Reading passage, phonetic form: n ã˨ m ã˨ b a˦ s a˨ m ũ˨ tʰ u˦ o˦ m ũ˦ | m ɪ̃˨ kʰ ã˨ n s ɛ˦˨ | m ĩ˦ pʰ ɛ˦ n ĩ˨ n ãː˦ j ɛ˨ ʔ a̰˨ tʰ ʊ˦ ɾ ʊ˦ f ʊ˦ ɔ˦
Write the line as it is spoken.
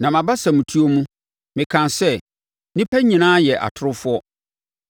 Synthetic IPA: n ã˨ m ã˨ b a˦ s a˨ m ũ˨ tʰ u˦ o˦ m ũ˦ | m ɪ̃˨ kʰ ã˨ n s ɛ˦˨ | n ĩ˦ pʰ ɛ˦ ɲ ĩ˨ n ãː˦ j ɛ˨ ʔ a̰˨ tʰ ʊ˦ ɾ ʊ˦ f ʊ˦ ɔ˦